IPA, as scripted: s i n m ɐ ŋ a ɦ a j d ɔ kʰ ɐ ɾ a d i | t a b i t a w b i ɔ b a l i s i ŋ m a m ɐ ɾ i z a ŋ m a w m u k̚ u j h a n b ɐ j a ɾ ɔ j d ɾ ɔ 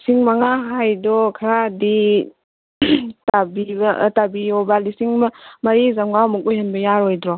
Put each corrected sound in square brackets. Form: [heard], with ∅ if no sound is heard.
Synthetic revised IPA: s i [ŋ] m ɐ ŋ a ɦ a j d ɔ kʰ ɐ ɾ a d i | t a b i t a [∅] b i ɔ b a l i s i ŋ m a m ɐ ɾ i z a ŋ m a w m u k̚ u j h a n b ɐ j a ɾ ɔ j d ɾ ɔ

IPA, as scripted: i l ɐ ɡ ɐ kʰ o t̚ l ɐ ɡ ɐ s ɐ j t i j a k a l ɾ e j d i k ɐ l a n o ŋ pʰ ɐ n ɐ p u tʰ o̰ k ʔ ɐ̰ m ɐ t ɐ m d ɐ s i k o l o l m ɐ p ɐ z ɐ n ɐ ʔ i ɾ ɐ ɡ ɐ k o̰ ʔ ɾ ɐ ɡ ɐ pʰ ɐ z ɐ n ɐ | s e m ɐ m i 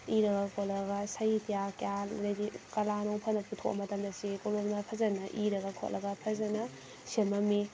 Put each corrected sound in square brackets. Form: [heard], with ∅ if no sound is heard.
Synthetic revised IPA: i [ɾ] ɐ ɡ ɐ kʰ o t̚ l ɐ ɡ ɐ s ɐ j t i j a k a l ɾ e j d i k ɐ l a n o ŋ pʰ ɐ n ɐ p u tʰ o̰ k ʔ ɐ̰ m ɐ t ɐ m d ɐ s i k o l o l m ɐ [pʰ] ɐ z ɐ n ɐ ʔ i ɾ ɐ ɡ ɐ [kʰ] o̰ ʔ [l] ɐ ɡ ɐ pʰ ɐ z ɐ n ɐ | s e m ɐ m i

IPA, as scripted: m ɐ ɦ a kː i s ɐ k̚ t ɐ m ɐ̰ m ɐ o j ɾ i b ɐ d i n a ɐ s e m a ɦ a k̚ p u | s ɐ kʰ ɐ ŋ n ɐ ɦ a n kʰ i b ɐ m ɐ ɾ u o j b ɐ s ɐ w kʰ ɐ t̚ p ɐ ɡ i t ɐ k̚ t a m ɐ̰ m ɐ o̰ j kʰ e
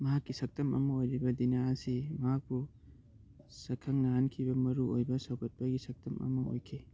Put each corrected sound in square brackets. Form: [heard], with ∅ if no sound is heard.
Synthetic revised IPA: m ɐ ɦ a kː i s ɐ k̚ t ɐ m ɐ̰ m ɐ o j ɾ i b ɐ d i n a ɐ s [i] m [ɐ] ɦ a k̚ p u | s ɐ kʰ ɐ ŋ n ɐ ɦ a n kʰ i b ɐ m ɐ ɾ u o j b ɐ s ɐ w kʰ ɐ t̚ p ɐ ɡ i [s] ɐ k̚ t [ɐ] m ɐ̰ m ɐ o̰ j kʰ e

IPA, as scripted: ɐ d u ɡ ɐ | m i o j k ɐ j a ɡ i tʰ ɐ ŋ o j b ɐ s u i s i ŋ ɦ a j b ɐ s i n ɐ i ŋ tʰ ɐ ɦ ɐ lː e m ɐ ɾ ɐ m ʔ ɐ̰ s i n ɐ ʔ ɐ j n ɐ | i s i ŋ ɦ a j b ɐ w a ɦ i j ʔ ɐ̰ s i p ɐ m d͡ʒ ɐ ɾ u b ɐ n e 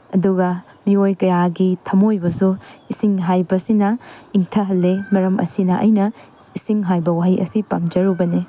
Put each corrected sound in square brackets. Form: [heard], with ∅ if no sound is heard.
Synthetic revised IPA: ɐ d u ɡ ɐ | m i o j k ɐ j a ɡ i tʰ ɐ [m] o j b ɐ s u i s i ŋ ɦ a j b ɐ s i n ɐ i ŋ tʰ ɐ ɦ ɐ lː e m ɐ ɾ ɐ m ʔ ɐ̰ s i n ɐ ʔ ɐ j n ɐ | i s i ŋ ɦ a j b ɐ w a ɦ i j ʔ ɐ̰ s i p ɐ m d͡ʒ ɐ ɾ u b ɐ n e

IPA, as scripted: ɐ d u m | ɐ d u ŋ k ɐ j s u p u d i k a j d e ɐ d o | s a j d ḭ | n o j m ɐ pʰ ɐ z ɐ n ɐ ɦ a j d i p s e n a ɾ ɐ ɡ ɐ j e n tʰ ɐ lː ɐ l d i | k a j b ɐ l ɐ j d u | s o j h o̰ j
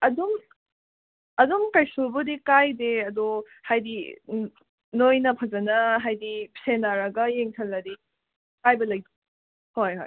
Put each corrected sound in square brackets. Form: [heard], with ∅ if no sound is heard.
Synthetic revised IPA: ɐ d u m | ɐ d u [m] k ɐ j s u [b] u d i k a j d e ɐ d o | [h] a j d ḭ | n o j [n] ɐ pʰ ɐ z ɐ n ɐ ɦ a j d i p s e n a ɾ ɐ ɡ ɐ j e [ŋ] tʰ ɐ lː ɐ [∅] d i | k a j b ɐ l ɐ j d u | [h] o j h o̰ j

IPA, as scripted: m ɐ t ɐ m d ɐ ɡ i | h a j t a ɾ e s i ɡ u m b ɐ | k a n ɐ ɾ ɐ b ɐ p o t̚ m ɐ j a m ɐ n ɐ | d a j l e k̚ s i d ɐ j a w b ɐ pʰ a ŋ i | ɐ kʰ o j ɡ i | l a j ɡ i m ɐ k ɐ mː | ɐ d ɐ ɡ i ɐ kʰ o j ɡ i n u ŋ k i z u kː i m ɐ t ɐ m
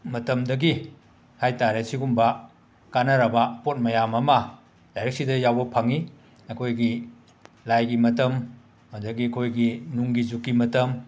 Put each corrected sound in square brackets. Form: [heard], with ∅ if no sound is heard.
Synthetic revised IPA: m ɐ t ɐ m d ɐ ɡ i | h a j t a ɾ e s i ɡ u m b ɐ | k a n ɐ ɾ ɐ b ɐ p o t̚ m ɐ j a m ɐ [m] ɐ | d a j [ɾ] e k̚ s i d ɐ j a w b ɐ pʰ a ŋ i | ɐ kʰ o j ɡ i | l a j ɡ i m ɐ [t] ɐ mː | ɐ d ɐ ɡ i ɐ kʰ o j ɡ i n u ŋ [ɡ] i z u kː i m ɐ t ɐ m

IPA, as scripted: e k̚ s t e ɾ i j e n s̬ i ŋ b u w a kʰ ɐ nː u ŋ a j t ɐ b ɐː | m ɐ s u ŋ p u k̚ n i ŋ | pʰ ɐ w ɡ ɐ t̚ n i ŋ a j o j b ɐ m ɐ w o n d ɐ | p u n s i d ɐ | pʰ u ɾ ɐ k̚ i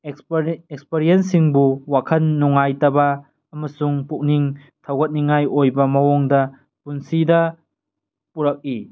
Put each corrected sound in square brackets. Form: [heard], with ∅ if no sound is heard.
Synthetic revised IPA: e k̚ s [p] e ɾ i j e n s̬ i ŋ b u w a kʰ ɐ nː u ŋ a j t ɐ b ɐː | m ɐ s u ŋ p u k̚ n i ŋ | [tʰ] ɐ w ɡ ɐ t̚ n i ŋ a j o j b ɐ m ɐ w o [ŋ] d ɐ | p u n s i d ɐ | [p] u ɾ ɐ k̚ i

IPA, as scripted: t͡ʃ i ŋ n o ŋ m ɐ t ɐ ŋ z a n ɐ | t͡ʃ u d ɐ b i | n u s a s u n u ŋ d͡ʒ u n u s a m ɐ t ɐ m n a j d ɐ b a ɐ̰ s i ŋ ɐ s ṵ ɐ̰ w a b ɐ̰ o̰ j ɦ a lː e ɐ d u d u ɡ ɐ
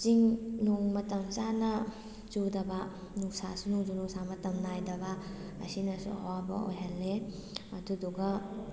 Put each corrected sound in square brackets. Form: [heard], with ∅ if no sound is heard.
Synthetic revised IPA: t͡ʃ i ŋ n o ŋ m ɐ t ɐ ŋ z a n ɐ | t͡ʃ u d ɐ b [a] | n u s a s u n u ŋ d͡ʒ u n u s a m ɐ t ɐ m n a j d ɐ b a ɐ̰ s i [n] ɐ s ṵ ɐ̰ w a b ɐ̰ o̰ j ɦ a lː e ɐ d u d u ɡ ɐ

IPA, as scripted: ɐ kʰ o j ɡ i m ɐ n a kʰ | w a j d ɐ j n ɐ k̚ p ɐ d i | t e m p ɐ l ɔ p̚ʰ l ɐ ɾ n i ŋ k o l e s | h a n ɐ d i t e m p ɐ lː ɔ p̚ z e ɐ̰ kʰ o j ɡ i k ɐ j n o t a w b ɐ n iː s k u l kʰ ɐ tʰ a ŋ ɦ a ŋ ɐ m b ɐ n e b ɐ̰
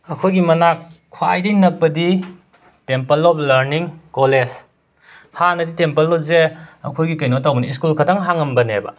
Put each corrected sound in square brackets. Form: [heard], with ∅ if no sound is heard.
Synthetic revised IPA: ɐ kʰ o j ɡ i m ɐ n a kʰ | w a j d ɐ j n ɐ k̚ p ɐ d i | t e m p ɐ l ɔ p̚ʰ l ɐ ɾ n i ŋ k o l e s | h a n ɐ d i t e m p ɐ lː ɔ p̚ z e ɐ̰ kʰ o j ɡ i k ɐ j n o t a w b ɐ n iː s k u l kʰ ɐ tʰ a ŋ ɦ a ŋ ɐ m b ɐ n e b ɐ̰

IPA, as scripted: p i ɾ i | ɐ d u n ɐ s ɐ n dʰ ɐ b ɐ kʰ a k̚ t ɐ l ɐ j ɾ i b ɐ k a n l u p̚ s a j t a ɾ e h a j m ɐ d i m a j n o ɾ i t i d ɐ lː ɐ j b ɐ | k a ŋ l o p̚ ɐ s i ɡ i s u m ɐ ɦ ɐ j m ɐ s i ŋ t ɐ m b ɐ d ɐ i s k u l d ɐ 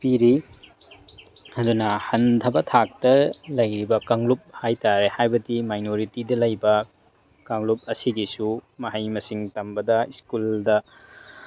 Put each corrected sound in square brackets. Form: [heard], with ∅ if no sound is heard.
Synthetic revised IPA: p i ɾ i | ɐ d u n ɐ [h] ɐ n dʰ ɐ b ɐ [tʰ] a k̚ t ɐ l ɐ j ɾ i b ɐ k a [ŋ] l u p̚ [h] a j t a ɾ e h a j [b] ɐ d i m a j n o ɾ i t i d ɐ [l] ɐ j b ɐ | k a ŋ l [u] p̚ ɐ s i ɡ i s u m ɐ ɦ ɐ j m ɐ s i ŋ t ɐ m b ɐ d ɐ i s k u l d ɐ

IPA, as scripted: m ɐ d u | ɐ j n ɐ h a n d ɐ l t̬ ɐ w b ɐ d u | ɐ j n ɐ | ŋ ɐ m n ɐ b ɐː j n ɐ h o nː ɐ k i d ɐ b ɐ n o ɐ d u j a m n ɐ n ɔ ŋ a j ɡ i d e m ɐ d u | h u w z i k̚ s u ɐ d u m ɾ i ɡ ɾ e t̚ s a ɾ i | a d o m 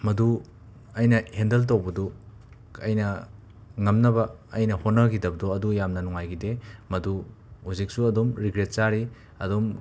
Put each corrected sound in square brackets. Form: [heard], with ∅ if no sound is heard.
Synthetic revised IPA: m ɐ d u | ɐ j n ɐ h [e] n d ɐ l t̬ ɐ w b ɐ d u | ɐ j n ɐ | ŋ ɐ m n ɐ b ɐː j n ɐ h o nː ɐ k i d ɐ b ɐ [d] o ɐ d u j a m n ɐ n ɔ ŋ a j ɡ i d e m ɐ d u | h u [∅] z i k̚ s u ɐ d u m ɾ i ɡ ɾ e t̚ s a ɾ i | [ɐ] d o m

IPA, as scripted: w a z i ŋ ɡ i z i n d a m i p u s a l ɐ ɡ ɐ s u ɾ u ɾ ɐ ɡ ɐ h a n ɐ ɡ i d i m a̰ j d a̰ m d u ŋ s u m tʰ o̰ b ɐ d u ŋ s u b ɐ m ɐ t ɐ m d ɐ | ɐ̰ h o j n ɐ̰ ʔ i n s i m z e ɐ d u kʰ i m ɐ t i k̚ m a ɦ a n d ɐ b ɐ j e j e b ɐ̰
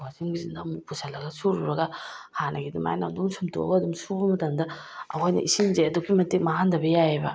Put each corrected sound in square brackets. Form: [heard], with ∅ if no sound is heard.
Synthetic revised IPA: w a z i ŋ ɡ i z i n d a m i p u s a l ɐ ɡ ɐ s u ɾ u ɾ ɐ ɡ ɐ h a n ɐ ɡ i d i m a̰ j [n] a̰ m d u ŋ s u m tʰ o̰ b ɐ d u [m] s u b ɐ m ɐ t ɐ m d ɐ | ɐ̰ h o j n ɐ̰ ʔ i [∅] s i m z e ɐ d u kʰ i m ɐ t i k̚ m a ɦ a n d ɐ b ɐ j [a] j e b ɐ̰

